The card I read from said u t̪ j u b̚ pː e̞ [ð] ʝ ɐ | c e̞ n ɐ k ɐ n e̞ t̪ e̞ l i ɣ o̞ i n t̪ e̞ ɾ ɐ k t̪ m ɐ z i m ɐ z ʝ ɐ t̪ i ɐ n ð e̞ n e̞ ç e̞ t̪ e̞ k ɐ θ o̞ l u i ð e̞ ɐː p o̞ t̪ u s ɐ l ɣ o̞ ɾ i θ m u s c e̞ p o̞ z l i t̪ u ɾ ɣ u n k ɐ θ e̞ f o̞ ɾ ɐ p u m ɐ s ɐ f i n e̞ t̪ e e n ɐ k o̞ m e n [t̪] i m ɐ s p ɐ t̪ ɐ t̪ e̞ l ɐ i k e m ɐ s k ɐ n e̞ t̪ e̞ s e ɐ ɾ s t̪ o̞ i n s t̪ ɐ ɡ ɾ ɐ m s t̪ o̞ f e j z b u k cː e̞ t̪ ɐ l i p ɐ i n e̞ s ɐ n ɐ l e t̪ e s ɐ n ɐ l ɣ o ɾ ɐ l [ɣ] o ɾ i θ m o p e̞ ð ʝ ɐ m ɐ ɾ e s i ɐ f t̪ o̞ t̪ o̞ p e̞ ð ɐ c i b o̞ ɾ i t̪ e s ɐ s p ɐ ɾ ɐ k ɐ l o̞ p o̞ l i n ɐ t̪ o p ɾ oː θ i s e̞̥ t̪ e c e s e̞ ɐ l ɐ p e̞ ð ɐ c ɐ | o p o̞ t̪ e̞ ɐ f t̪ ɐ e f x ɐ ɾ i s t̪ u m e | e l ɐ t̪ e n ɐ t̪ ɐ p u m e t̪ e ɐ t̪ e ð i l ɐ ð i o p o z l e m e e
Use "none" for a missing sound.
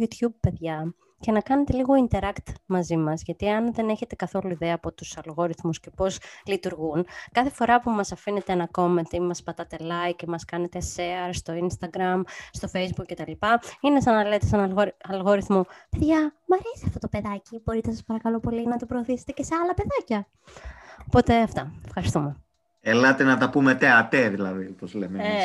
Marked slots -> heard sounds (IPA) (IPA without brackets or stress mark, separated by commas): ð, t̪, ɣ